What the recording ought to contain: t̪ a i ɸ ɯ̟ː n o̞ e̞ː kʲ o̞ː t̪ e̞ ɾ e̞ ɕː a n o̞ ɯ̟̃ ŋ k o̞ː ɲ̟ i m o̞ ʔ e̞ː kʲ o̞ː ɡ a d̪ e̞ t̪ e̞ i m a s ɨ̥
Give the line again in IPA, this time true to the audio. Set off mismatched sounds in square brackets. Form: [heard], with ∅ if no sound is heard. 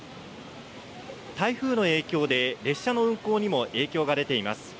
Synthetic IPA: t̪ a i ɸ ɯ̟ː n o̞ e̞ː kʲ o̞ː [d̪] e̞ ɾ e̞ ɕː a n o̞ ɯ̟̃ ŋ k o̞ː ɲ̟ i m o̞ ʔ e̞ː kʲ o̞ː ɡ a d̪ e̞ t̪ e̞ i m a s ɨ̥